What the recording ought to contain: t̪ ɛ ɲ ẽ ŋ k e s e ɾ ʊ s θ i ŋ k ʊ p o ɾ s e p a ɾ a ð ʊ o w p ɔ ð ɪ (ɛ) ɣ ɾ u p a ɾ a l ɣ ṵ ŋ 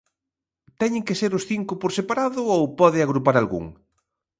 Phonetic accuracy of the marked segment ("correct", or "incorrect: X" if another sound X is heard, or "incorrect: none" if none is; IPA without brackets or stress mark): incorrect: a